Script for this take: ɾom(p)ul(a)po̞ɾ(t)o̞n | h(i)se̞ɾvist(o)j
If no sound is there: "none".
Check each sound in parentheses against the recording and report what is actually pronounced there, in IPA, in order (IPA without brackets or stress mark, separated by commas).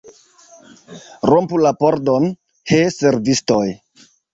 p, a, d, e, o